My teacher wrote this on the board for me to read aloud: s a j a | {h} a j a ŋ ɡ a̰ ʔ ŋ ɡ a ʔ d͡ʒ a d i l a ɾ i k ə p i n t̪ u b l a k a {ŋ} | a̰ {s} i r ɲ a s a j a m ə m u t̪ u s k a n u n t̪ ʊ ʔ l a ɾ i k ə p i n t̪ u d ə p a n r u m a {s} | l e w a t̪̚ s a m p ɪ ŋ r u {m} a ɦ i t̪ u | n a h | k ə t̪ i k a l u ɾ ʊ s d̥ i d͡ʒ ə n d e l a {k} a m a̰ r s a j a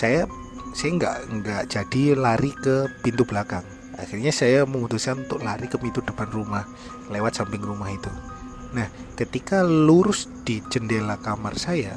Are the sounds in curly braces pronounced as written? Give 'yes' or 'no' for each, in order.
no, yes, no, no, yes, yes

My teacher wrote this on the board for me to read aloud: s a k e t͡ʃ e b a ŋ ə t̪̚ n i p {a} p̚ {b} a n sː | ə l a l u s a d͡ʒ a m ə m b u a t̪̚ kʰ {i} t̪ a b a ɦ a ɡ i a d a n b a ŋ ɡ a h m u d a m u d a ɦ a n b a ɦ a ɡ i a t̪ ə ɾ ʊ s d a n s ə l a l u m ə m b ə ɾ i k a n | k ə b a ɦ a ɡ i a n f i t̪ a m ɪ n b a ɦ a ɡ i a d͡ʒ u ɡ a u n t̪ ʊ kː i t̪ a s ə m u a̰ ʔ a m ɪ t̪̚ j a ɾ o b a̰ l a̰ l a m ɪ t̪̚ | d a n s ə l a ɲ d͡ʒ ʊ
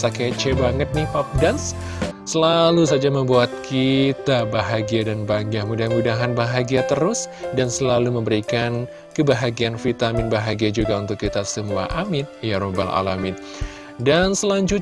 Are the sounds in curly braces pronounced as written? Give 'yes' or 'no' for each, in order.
yes, no, yes

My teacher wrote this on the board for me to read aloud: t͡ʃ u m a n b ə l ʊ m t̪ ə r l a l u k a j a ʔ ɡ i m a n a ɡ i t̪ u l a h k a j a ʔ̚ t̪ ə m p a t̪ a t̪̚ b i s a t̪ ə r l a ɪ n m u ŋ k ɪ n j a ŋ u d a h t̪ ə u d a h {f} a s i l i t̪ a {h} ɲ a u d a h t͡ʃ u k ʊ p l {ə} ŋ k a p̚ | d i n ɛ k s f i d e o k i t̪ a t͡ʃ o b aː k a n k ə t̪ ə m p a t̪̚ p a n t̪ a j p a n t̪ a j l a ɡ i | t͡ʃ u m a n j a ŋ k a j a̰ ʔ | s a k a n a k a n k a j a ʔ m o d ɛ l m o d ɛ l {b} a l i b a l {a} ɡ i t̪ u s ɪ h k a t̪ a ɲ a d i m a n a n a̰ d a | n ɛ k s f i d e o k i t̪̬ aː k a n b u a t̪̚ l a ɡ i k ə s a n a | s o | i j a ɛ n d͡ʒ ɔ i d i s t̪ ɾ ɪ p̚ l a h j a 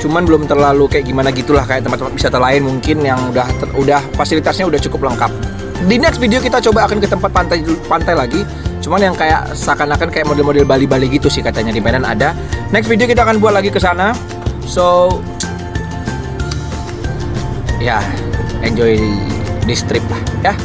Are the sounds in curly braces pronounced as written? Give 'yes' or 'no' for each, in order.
yes, no, yes, yes, no

